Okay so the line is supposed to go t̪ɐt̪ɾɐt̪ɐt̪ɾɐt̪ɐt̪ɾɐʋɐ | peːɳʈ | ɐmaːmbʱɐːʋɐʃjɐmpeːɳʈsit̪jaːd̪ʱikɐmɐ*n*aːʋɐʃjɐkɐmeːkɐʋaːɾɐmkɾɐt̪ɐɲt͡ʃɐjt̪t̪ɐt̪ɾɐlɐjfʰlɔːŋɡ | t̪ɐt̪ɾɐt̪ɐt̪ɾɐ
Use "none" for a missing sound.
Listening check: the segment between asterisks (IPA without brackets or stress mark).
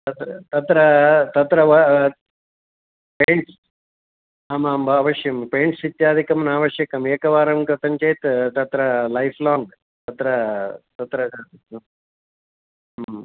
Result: n